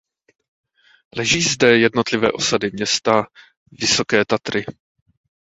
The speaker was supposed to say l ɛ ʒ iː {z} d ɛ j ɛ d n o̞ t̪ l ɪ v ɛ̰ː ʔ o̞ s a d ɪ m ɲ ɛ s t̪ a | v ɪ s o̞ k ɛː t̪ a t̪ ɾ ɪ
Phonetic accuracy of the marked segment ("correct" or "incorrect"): correct